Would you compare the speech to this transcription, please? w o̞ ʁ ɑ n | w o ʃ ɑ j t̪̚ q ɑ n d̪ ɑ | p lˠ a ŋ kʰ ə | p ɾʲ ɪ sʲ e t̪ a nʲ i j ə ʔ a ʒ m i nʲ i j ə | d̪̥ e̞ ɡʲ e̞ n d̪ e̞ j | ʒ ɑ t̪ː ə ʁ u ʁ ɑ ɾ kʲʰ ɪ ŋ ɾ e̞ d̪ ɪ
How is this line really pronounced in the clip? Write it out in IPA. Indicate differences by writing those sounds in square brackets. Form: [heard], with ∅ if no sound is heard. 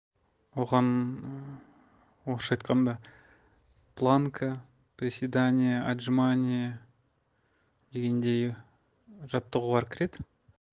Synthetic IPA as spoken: w o̞ ʁ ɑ n | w o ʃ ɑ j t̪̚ q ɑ n d̪ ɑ | p lˠ a ŋ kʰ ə | p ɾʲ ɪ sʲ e [d̪] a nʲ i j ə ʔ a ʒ m [a] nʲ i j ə | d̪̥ e̞ ɡʲ e̞ n d̪ e̞ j | ʒ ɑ t̪ː ə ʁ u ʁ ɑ ɾ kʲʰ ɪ [∅] ɾ e̞ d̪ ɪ